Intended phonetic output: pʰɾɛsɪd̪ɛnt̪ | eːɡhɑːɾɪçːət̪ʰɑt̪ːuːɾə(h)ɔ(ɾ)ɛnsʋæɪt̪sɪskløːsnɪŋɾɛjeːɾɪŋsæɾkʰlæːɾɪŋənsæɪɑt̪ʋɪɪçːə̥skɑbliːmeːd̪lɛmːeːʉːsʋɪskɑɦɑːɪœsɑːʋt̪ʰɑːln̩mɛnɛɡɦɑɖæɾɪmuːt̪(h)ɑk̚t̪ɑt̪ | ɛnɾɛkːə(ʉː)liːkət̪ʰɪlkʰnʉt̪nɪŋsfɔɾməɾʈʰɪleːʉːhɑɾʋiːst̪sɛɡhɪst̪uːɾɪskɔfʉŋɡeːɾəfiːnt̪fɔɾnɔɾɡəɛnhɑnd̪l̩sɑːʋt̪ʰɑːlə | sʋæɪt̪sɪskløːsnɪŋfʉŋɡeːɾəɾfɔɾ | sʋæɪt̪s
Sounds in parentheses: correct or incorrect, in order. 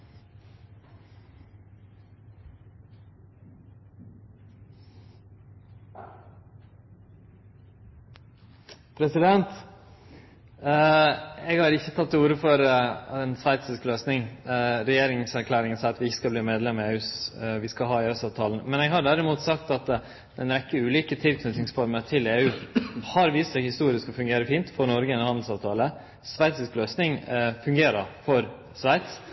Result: incorrect, correct, incorrect, correct

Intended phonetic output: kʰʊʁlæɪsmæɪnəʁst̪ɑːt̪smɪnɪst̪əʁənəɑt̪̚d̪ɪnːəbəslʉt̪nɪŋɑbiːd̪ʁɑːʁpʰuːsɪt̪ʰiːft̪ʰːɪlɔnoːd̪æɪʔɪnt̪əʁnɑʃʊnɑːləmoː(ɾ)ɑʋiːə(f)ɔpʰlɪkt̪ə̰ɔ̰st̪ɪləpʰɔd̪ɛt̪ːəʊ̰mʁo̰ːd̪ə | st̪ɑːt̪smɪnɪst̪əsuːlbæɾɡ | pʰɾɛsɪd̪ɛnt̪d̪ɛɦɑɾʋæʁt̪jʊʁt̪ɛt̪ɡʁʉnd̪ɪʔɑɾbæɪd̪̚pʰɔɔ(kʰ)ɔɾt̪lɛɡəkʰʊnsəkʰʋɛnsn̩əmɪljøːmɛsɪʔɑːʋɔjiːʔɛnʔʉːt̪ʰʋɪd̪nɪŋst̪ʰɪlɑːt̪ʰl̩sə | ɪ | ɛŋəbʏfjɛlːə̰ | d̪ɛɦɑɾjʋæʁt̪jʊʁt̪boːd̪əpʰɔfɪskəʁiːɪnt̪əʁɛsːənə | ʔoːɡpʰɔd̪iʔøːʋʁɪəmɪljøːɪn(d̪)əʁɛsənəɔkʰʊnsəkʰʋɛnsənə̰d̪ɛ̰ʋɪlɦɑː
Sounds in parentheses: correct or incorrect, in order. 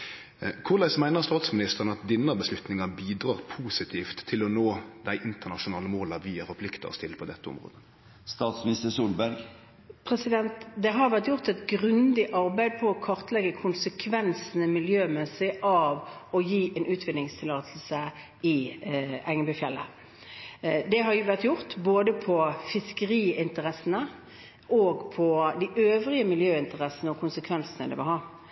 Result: incorrect, correct, correct, incorrect

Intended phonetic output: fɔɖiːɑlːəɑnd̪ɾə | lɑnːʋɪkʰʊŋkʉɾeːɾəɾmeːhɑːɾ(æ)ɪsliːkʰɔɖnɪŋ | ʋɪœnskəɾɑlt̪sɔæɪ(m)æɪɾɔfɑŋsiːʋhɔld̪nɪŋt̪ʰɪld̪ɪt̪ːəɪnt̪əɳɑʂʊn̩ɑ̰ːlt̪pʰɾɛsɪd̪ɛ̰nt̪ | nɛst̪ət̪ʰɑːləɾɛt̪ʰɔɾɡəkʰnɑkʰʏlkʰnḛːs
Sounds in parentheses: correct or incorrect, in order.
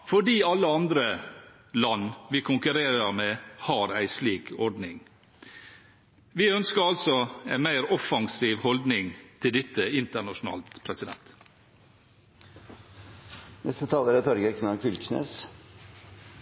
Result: correct, correct

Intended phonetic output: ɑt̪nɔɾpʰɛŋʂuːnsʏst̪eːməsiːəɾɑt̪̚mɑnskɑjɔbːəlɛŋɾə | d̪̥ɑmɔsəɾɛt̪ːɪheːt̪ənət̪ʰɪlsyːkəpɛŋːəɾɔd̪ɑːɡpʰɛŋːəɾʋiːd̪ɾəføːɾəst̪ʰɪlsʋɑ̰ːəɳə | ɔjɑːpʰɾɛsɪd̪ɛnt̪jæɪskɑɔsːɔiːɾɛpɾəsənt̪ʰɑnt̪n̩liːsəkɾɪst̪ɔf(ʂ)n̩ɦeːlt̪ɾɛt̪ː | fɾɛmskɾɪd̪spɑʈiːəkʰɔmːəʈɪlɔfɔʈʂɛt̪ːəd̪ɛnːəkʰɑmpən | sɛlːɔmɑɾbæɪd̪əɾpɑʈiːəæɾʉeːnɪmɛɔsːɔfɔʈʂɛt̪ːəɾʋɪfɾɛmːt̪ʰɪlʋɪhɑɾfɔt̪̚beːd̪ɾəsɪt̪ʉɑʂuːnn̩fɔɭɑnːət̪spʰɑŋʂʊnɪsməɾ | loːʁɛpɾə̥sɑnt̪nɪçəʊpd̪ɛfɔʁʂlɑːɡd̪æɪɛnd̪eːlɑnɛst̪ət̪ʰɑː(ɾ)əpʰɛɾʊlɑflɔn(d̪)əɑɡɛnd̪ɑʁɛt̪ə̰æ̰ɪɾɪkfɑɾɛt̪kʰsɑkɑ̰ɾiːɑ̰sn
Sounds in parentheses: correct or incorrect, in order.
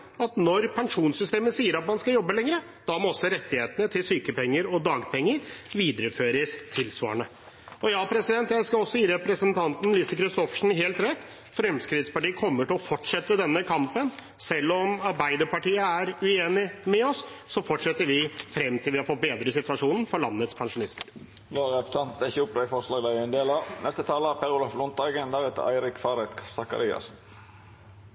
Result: correct, incorrect, incorrect

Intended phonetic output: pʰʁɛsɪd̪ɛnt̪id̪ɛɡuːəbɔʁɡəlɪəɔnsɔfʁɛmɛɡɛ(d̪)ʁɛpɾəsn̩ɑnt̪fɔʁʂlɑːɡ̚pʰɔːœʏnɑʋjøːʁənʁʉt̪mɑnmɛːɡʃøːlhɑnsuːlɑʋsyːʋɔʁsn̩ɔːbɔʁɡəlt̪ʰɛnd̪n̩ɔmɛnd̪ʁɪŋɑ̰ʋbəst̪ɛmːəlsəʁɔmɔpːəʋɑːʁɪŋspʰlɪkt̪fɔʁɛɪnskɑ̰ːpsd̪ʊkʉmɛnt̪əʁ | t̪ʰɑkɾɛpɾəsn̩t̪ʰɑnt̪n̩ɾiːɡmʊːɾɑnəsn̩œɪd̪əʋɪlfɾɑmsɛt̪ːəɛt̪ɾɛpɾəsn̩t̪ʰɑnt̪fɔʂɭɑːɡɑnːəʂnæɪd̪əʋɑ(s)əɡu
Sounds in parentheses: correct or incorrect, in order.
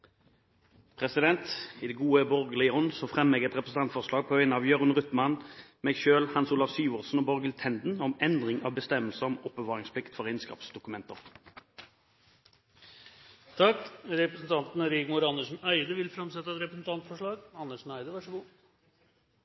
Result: incorrect, incorrect

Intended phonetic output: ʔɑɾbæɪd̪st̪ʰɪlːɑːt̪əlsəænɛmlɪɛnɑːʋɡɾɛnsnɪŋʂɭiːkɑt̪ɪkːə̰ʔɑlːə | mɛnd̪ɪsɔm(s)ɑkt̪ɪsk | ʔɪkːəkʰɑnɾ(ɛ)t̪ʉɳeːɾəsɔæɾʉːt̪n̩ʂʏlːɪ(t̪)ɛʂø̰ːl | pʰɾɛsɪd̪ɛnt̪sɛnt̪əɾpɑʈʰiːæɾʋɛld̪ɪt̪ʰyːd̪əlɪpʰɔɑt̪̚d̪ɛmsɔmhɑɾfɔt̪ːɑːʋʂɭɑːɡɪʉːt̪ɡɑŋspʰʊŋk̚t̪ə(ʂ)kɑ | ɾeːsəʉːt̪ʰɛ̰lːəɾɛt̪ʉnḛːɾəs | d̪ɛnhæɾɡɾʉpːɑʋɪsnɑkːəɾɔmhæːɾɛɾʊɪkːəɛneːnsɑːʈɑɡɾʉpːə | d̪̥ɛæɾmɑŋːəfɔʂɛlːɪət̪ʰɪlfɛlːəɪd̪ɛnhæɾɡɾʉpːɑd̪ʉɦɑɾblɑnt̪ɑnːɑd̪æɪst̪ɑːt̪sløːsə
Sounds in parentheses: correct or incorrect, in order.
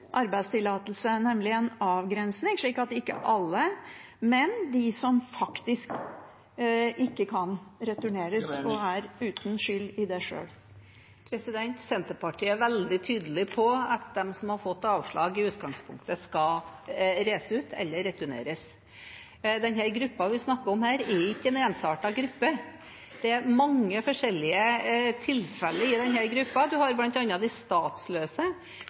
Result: incorrect, correct, incorrect, incorrect

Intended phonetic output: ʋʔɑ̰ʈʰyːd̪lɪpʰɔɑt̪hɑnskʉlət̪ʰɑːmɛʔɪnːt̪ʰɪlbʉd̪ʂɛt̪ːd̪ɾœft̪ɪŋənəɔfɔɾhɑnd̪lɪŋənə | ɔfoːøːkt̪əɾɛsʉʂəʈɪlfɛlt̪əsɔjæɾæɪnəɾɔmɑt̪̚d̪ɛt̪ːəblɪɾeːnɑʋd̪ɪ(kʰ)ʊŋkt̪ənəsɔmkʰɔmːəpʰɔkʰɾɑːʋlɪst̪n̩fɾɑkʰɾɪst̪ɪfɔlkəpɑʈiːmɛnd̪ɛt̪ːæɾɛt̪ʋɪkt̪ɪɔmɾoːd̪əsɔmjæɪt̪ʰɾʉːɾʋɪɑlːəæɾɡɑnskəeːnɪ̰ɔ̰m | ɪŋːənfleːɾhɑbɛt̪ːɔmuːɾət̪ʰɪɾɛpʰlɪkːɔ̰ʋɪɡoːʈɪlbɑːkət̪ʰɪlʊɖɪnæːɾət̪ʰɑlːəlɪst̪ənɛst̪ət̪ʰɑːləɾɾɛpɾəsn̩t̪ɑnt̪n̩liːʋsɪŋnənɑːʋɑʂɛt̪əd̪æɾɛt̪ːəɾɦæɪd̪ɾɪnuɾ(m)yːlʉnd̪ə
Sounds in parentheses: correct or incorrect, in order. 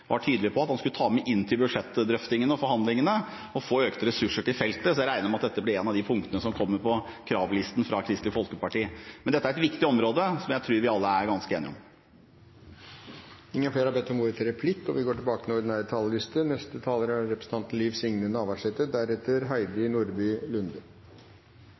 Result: incorrect, incorrect

